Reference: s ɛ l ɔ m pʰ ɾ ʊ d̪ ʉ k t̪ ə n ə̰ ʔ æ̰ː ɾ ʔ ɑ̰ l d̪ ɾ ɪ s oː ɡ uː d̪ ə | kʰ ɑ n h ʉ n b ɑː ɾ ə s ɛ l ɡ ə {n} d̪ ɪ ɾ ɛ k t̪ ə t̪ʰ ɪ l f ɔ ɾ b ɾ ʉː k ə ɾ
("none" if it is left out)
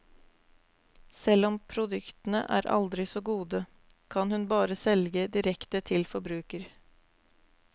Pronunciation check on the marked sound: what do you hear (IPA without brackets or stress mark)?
none